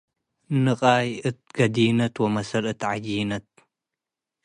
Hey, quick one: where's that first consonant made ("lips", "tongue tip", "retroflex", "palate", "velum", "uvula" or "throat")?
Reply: tongue tip